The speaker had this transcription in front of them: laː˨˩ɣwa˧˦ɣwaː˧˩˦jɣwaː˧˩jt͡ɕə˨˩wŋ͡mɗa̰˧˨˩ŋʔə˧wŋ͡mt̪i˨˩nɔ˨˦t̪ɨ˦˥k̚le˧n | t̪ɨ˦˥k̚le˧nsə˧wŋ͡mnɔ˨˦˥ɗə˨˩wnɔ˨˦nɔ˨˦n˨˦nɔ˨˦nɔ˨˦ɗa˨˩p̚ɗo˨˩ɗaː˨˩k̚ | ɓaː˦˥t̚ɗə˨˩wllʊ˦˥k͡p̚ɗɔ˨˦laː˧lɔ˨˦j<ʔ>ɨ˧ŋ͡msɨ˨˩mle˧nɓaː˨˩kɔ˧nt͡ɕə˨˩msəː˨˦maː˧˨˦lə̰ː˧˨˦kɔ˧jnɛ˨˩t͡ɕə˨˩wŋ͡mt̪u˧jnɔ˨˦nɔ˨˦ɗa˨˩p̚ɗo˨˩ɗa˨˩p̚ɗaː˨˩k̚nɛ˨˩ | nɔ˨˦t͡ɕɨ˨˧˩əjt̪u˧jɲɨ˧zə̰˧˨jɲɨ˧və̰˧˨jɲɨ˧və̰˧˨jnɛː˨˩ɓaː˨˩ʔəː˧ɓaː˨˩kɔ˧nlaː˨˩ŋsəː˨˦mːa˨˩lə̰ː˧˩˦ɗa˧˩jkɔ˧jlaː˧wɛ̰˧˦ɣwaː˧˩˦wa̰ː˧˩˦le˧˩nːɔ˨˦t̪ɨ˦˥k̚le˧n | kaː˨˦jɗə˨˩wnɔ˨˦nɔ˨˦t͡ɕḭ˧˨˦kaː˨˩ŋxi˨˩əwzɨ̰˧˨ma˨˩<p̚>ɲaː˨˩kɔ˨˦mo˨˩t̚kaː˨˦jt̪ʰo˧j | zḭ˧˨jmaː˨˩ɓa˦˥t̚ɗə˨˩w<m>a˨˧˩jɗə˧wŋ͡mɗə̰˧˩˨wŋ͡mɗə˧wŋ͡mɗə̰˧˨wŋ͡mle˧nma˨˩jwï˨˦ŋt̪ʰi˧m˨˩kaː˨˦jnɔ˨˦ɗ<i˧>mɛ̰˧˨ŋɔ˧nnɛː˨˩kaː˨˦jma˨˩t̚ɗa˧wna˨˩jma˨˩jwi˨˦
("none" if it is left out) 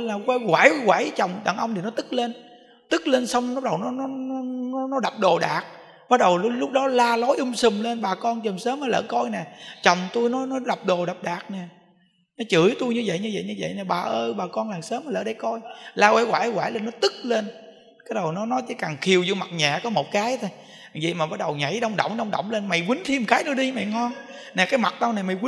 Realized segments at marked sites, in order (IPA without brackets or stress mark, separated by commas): ʔ, t̚, ɲ, i˧